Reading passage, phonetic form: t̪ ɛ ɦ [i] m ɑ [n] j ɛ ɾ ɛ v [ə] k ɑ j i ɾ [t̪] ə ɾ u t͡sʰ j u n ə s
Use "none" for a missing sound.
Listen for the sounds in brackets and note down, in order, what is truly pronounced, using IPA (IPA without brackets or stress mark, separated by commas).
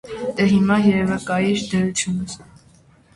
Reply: i, none, ə, d̪